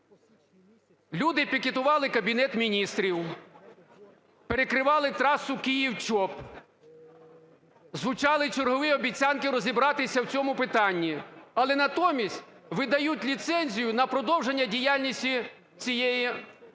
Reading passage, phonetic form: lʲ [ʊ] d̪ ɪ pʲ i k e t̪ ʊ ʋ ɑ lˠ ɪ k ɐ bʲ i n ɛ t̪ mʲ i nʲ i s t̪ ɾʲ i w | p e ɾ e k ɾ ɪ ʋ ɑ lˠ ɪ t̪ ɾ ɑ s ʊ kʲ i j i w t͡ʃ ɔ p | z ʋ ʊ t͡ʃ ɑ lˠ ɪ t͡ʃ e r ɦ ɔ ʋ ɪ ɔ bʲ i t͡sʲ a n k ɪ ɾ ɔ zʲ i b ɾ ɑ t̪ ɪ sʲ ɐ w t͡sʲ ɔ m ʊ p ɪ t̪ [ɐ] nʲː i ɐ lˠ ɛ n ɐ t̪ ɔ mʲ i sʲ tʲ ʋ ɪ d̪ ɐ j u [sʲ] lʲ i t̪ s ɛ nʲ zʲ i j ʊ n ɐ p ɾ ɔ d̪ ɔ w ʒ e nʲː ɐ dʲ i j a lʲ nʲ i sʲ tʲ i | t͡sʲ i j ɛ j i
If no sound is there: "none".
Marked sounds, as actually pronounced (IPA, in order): u, ɑ, tʲ

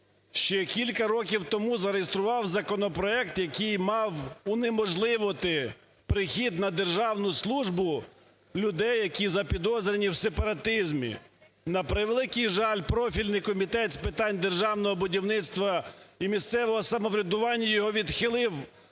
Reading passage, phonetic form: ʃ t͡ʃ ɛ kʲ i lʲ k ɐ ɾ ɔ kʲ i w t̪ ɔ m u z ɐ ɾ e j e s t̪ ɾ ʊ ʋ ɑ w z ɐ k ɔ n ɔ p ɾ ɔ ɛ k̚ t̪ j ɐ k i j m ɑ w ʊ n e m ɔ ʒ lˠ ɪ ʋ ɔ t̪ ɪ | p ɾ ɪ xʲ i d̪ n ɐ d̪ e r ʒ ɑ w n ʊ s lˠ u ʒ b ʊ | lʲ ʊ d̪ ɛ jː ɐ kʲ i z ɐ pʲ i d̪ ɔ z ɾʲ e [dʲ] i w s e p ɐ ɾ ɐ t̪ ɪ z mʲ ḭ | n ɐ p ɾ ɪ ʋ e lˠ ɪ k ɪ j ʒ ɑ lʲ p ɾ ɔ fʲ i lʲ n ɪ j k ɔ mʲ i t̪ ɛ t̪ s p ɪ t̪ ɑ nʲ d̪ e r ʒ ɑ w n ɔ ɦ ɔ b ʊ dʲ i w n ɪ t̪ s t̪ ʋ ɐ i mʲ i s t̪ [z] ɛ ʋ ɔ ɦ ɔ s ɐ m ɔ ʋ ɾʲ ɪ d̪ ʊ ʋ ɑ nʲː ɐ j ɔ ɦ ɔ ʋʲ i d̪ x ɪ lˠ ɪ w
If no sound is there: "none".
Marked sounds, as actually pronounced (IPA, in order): nʲ, s

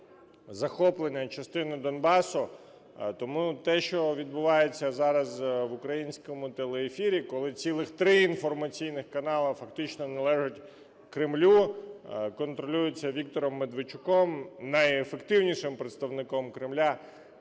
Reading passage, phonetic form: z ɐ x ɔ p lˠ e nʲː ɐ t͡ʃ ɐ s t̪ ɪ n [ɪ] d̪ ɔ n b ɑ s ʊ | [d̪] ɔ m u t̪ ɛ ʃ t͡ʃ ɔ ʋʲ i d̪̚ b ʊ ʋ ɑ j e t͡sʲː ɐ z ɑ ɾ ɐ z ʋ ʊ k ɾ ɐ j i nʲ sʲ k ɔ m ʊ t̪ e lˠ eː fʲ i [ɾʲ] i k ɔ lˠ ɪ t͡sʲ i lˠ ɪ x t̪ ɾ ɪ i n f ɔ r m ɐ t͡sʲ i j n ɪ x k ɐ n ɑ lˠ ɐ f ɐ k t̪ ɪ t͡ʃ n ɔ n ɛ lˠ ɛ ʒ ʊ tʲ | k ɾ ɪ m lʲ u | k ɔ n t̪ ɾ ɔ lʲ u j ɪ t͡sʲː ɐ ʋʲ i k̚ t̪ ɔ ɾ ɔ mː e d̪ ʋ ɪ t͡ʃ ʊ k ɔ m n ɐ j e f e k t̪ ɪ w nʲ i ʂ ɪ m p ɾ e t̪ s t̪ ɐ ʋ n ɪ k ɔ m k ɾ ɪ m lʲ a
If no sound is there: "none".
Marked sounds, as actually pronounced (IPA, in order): ɪ, t̪, ɾʲ

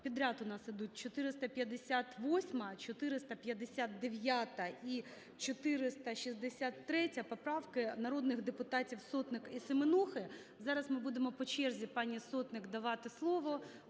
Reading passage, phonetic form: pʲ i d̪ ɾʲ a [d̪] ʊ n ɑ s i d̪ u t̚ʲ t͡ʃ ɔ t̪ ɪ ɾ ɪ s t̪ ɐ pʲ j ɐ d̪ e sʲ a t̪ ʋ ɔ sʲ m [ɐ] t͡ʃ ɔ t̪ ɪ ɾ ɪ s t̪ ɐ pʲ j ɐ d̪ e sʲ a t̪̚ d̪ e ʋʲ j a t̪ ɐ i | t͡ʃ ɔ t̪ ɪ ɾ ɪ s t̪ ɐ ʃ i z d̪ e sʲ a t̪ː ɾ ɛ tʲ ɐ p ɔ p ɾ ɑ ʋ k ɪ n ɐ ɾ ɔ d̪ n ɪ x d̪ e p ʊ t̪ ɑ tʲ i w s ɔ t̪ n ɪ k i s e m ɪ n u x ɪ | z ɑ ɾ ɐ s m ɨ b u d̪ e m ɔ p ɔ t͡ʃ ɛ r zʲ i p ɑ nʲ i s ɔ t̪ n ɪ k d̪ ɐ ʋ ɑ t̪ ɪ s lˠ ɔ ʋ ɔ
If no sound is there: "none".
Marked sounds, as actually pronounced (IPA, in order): t̪, ɐ

